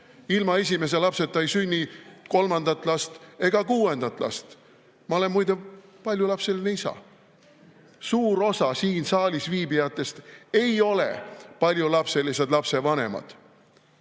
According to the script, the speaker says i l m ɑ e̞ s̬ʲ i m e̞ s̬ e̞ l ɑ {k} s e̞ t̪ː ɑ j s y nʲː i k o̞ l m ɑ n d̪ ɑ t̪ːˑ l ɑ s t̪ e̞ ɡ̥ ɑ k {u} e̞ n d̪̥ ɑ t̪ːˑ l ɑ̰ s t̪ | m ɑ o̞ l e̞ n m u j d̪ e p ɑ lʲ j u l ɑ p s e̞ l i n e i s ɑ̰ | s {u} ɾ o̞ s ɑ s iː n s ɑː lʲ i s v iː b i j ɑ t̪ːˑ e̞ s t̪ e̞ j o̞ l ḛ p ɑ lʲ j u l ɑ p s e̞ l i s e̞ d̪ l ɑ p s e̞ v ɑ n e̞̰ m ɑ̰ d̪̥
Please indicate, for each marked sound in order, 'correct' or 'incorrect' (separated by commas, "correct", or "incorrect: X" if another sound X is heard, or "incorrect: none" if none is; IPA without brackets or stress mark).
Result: incorrect: p, incorrect: uː, incorrect: uː